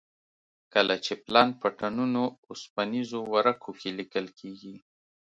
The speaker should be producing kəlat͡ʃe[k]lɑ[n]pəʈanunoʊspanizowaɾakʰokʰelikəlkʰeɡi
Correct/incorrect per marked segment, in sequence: incorrect: p, correct

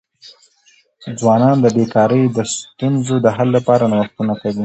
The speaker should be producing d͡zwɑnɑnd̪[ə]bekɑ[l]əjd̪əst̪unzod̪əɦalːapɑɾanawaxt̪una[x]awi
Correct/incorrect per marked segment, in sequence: correct, incorrect: ɾ, incorrect: k

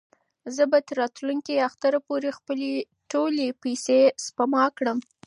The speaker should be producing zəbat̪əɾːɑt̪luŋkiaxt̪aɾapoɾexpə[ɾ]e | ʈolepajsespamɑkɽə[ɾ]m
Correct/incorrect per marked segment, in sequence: incorrect: l, incorrect: none

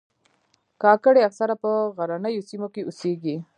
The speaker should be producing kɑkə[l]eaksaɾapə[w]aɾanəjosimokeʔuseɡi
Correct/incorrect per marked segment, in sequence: incorrect: ɽ, incorrect: ɣ

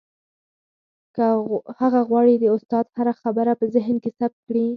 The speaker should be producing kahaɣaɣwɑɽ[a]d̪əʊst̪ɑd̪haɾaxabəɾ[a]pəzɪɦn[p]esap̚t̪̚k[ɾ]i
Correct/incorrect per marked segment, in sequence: incorrect: i, correct, incorrect: k, incorrect: ɽ

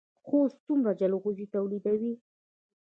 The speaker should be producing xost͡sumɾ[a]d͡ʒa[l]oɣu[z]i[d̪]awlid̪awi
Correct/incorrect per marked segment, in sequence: correct, correct, correct, incorrect: t̪

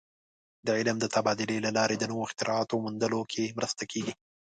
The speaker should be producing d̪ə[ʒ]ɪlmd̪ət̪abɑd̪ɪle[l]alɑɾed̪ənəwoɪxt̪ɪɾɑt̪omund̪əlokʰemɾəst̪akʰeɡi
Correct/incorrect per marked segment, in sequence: incorrect: ʕ, correct

